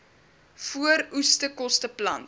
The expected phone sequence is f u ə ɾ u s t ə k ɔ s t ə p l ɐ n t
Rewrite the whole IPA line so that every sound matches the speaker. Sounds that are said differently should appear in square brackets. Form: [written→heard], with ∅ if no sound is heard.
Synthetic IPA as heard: f u ə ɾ u s t ə k ɔ s t ə p l ɐ n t

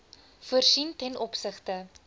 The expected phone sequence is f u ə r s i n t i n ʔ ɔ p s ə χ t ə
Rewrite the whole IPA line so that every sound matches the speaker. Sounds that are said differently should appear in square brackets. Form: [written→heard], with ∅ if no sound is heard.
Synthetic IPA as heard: f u ə r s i n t [i→ɛ] n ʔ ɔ p s ə χ t ə

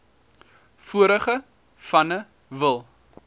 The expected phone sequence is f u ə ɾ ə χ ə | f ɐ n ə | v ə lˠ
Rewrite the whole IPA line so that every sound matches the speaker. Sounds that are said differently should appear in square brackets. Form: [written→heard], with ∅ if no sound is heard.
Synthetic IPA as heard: f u ə ɾ ə χ ə | f ɐ n ə | v ə lˠ

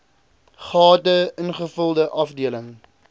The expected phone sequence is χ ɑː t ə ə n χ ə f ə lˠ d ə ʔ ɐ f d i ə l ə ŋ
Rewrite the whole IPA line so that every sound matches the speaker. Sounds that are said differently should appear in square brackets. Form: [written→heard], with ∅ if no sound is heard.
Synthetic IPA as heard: χ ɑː t ə ə n χ ə f ə lˠ d ə ʔ ɐ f d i ə l ə ŋ

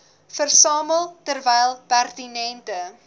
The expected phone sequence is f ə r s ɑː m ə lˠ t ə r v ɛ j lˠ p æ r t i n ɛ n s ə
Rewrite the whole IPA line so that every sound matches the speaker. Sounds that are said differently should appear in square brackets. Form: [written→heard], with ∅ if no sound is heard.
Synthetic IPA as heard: f ə r s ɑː m ə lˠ t ə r v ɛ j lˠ p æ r t i n ɛ n [s→t] ə

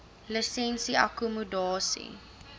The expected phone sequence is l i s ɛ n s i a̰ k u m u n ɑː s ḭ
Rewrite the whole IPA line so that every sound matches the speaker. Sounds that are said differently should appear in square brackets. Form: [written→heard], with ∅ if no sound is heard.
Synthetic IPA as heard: l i s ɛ n s i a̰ k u m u [n→d] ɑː s ḭ

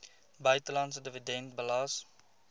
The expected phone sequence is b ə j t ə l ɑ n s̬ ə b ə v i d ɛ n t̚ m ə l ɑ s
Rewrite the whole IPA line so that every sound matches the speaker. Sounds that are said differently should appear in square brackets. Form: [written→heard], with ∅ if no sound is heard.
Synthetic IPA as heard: b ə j t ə l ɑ n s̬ ə [b→d] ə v i d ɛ n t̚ [m→b] ə l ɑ s

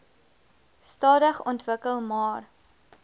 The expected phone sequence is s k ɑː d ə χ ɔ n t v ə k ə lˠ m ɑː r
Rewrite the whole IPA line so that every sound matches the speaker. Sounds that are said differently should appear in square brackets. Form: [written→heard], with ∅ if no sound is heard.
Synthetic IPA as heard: s [k→t] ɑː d ə χ ɔ n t v ə k ə lˠ m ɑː r

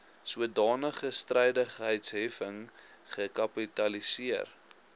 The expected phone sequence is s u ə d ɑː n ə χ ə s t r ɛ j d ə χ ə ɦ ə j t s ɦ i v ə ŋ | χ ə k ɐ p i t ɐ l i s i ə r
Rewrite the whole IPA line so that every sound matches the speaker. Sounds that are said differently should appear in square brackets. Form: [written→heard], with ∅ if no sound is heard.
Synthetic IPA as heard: s u ə d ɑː n ə χ ə s t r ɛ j d ə χ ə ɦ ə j t s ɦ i [v→f] ə ŋ | χ ə k ɐ p i t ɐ l i s i ə r

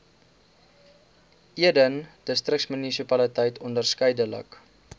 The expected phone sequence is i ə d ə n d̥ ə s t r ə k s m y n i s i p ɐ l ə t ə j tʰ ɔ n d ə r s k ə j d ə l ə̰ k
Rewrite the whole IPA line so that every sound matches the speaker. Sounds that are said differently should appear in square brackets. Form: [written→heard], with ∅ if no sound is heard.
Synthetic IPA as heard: i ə d ə n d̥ ə s t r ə k s m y n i s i p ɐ l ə t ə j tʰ ɔ n d ə r s k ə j d ə l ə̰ k

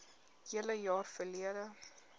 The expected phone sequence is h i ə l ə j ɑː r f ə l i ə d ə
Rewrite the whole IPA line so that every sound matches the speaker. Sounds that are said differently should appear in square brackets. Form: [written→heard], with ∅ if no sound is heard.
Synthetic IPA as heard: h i ə l ə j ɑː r f ə l i ə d ə

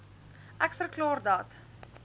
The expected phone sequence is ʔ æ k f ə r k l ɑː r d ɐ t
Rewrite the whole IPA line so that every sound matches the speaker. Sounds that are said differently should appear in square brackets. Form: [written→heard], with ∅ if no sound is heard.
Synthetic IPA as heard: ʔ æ k f ə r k l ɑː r d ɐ t

